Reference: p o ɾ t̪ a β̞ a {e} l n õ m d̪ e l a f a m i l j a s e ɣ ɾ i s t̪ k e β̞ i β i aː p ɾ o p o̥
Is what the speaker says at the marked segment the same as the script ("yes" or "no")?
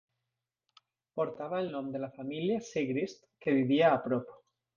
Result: yes